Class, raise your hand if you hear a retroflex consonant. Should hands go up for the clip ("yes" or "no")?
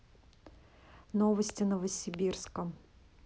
no